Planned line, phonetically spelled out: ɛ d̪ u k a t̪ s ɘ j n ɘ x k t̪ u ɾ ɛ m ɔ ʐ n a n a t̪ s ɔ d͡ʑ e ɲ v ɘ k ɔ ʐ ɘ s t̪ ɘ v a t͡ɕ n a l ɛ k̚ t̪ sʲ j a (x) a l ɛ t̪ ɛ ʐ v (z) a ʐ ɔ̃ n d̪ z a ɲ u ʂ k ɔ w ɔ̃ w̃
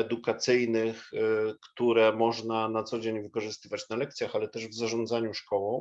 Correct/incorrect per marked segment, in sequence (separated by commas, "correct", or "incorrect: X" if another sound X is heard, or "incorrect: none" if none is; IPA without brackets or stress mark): correct, correct